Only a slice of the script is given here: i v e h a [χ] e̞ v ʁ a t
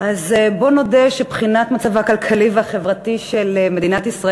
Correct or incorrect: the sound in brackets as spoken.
correct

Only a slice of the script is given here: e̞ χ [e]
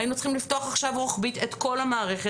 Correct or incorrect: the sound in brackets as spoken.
correct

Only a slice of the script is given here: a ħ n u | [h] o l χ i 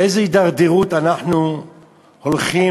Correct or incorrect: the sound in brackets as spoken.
correct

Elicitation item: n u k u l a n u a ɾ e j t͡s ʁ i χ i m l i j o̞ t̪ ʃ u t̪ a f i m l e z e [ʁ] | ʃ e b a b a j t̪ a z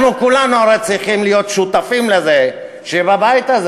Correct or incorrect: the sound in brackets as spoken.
incorrect: none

